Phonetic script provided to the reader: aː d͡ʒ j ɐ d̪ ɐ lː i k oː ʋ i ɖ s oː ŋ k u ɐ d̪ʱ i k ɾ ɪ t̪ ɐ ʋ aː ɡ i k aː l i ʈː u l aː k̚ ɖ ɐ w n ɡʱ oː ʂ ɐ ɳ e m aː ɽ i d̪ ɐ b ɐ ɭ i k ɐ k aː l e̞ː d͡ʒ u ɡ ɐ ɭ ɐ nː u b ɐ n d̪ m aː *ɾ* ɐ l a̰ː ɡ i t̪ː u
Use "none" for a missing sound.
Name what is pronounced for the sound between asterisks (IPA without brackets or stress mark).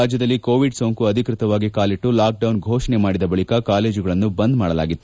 ɽ